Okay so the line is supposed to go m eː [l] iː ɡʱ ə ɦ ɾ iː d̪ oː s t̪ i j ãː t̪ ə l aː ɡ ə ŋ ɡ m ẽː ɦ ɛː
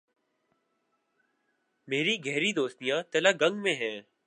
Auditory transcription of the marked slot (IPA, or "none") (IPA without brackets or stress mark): ɾ